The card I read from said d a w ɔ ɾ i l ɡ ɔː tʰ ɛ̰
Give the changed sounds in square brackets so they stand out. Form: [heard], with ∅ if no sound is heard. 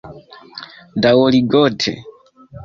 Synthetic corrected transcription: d a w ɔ [l] i [∅] ɡ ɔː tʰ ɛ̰

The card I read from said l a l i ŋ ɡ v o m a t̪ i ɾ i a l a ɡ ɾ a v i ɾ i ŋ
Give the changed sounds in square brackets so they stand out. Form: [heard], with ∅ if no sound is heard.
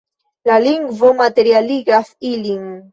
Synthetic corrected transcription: l a l i ŋ ɡ v o m a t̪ [e] ɾ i a l [i] ɡ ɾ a [f] i [l] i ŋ

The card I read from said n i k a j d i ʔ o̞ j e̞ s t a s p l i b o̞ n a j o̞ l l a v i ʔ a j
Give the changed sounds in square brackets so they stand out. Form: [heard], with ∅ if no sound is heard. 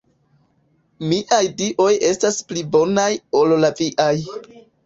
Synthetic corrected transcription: [m] i [ʔ] a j d i ʔ o̞ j e̞ s t a s p l i b o̞ n a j o̞ l l a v i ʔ a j

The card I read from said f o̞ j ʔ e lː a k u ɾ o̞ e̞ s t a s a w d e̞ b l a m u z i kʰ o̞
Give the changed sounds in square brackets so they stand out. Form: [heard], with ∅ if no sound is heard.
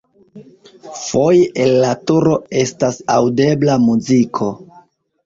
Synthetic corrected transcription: f o̞ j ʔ e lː a [t] u ɾ o̞ e̞ s t a s a w d e̞ b l a m u z i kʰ o̞

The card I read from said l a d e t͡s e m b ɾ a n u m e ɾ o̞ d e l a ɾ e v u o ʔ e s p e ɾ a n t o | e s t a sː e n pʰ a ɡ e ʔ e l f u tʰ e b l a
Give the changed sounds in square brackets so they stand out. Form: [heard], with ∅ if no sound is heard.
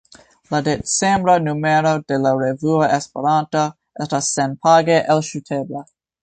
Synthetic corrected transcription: l a d e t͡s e m b ɾ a n u m e ɾ o̞ d e l a ɾ e v u o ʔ e s p e ɾ a n t o | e s t a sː e n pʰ a ɡ e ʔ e l [ʃ] u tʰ e b l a

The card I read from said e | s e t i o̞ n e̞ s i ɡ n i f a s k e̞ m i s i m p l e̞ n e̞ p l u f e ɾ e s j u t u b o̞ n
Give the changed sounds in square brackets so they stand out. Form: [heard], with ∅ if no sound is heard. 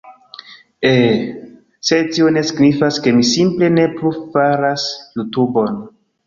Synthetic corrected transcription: e | s e t i o̞ n e̞ s i ɡ n i f a s k e̞ m i s i m p l e̞ n e̞ p l u f [a] ɾ [a] s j u t u b o̞ n

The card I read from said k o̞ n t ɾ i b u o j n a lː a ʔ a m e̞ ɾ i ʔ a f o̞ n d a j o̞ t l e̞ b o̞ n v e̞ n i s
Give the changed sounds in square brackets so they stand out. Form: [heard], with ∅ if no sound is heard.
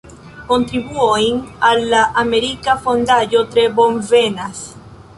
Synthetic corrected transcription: k o̞ n t ɾ i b u o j n a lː a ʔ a m e̞ ɾ i [k] a f o̞ n d a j o̞ t [ɾ] e̞ b o̞ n v e̞ n [a] s

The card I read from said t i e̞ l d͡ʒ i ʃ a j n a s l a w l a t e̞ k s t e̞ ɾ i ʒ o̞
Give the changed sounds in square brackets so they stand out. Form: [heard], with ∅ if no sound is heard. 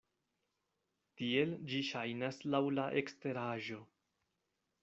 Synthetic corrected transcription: t i e̞ l d͡ʒ i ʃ a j n a s l a w l a [ʔ] e̞ k s t e̞ ɾ [a] ʒ o̞

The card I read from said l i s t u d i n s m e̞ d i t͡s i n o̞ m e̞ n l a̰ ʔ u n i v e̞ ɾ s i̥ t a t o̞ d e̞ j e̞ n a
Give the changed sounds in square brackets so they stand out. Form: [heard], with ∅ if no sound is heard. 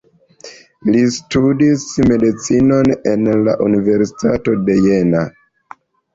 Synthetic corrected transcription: l i s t u d i [∅] s m e̞ d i t͡s i n o̞ [n] e̞ n l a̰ ʔ u n i v e̞ ɾ s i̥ t a t o̞ d e̞ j e̞ n a

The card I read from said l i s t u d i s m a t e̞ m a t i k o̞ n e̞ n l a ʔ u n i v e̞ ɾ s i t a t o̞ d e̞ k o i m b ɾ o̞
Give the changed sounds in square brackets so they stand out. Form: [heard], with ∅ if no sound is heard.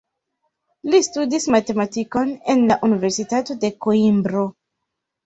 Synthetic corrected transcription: l i s t u d i s m a t e̞ m a t i k o̞ n e̞ n l a ʔ u n i v e̞ ɾ s i t a t o̞ d e̞ k o i m b ɾ o̞

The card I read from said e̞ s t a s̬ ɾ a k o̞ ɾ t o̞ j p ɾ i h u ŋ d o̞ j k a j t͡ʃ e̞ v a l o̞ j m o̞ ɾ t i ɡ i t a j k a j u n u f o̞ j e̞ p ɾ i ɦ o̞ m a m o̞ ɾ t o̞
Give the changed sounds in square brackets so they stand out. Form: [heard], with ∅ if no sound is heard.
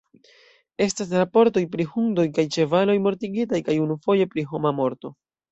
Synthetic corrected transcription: e̞ s t a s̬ ɾ a [p] o̞ ɾ t o̞ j p ɾ i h u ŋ d o̞ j k a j t͡ʃ e̞ v a l o̞ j m o̞ ɾ t i ɡ i t a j k a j u n u f o̞ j e̞ p ɾ i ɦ o̞ m a m o̞ ɾ t o̞

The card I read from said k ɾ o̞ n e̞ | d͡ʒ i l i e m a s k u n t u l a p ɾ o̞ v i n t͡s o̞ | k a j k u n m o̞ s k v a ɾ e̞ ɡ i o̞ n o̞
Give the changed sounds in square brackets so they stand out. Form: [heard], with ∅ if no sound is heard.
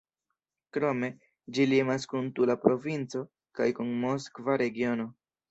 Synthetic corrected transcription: k ɾ o̞ [m] e̞ | d͡ʒ i l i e m a s k u n t u l a p ɾ o̞ v i n t͡s o̞ | k a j k u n m o̞ s k v a ɾ e̞ ɡ i o̞ n o̞

